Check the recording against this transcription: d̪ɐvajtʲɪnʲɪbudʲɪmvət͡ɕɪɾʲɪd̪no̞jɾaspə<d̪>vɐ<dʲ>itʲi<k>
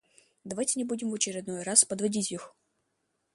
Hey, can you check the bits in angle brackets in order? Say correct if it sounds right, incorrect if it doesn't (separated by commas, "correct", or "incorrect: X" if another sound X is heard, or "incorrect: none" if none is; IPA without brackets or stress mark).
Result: correct, correct, incorrect: x